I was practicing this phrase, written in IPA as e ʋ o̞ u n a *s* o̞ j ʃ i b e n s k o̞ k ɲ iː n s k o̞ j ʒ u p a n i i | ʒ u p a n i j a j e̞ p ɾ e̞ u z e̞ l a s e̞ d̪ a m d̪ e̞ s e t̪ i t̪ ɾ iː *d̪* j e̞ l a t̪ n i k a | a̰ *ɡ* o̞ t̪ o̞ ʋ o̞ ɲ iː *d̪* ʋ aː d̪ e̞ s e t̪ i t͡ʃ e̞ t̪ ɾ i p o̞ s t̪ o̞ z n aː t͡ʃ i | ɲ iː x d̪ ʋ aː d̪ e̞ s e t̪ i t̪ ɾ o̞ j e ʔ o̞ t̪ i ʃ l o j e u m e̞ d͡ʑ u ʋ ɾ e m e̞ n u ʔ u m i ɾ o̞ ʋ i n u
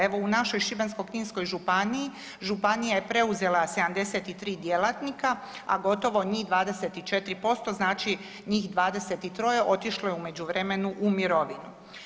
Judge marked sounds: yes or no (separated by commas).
no, yes, yes, yes